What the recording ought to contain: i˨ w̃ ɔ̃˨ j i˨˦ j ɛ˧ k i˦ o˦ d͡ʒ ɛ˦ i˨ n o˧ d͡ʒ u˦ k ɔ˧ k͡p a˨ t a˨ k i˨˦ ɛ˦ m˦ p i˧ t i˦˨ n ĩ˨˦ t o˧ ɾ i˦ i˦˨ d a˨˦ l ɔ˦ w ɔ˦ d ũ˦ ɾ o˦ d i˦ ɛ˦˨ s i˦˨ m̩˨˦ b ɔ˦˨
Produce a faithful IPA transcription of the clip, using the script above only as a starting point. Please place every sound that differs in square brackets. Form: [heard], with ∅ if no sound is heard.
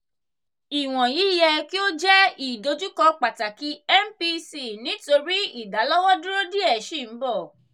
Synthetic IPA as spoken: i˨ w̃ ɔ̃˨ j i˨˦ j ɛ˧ k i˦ o˦ d͡ʒ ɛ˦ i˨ [d] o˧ d͡ʒ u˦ k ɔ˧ k͡p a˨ t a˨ k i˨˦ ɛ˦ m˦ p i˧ [s] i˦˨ n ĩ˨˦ t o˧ ɾ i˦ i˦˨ d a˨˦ l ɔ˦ w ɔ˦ d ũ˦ ɾ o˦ d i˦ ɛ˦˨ [ʃ] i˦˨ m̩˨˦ b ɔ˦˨